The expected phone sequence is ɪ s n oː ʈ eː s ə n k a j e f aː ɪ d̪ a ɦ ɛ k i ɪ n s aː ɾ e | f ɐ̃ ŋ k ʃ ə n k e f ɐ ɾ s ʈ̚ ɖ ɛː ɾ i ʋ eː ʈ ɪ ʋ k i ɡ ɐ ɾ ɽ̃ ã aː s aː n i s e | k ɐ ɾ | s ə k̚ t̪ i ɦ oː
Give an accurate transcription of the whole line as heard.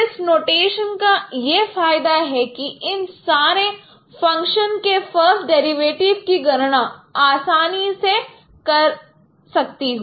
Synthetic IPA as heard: ɪ s n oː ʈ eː ʃ ə n k a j e f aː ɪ d̪ a ɦ ɛ k i ɪ n s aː ɾ e | f ɐ̃ ŋ k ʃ ə n k e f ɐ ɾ s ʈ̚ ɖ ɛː ɾ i ʋ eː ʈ ɪ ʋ k i ɡ ɐ ɾ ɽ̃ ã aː s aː n i s e | k ɐ ɾ | s ɐ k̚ t̪ i ɦ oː